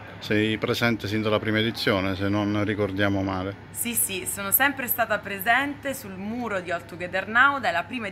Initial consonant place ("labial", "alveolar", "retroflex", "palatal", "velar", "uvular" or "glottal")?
alveolar